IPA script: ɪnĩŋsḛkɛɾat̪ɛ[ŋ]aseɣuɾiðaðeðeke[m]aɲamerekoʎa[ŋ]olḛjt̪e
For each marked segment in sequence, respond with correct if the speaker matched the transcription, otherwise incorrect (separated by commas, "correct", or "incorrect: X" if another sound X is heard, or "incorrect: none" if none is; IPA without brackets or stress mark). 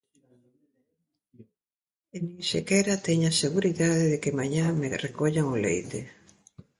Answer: incorrect: ɲ, correct, correct